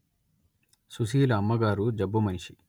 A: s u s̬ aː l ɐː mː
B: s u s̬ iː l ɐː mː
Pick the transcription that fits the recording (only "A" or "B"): B